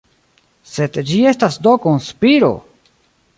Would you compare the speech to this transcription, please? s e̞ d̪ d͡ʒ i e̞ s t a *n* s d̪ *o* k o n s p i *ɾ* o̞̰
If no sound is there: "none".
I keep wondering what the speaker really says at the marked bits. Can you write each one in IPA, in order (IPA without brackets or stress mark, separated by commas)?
none, o, ɾ